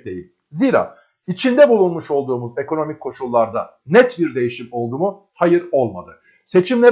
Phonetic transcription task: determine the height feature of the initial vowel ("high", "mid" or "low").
mid